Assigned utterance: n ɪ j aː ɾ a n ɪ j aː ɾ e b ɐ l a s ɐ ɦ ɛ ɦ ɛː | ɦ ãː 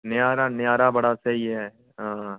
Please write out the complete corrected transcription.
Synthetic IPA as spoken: n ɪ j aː ɾ a n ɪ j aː ɾ a b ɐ ɽ a s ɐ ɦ i ɦ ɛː | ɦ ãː

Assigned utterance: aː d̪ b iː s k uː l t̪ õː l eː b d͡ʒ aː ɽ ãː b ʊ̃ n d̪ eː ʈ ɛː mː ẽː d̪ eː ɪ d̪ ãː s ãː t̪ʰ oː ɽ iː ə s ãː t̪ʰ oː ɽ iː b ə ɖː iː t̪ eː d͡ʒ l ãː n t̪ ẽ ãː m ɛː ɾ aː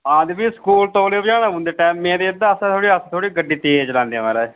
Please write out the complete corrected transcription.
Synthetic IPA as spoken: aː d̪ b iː s k uː l t̪ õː l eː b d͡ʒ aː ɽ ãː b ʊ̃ n d̪ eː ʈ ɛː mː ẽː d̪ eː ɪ d̪ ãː s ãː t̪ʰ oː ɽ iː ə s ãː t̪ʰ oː ɽ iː ɡ ə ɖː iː t̪ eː d͡ʒ l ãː n d̪ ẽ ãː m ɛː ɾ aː

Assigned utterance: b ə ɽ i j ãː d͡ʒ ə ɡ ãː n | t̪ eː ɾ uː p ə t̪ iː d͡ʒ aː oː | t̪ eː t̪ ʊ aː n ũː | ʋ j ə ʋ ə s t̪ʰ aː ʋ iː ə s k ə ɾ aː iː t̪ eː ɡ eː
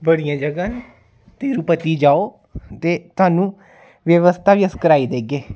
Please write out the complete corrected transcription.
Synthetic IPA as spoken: b ə ɽ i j ãː d͡ʒ ə ɡ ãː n | t̪ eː ɾ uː p ə t̪ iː d͡ʒ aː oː | t̪ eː t̪ ʊ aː n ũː | ʋ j ə ʋ ə s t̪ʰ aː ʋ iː ə s k ə ɾ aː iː d̪ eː ɡ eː

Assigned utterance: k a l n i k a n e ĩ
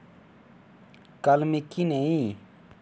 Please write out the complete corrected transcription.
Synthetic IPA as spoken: k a l m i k i n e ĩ

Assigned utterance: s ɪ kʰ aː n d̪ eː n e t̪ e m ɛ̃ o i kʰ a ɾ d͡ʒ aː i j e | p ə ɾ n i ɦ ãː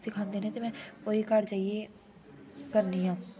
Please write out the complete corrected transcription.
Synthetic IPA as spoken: s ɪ kʰ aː n d̪ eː n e t̪ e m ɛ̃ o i k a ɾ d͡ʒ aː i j e | k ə ɾ n i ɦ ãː

